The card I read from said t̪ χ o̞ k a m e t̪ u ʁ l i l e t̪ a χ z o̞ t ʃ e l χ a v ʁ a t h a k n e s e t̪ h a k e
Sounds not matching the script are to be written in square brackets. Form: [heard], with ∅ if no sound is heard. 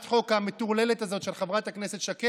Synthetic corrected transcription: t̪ χ o̞ k a m e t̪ u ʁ l [e] l e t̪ a [∅] z o̞ t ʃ e l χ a v ʁ a t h a k n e s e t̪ [ʃ] a k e